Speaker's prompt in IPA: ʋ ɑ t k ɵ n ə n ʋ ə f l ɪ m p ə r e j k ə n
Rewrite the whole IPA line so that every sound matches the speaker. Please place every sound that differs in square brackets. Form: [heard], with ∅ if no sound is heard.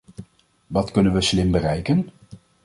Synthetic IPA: ʋ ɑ t k ɵ n ə n ʋ ə [s] l ɪ m [b] ə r [ɛ] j k ə n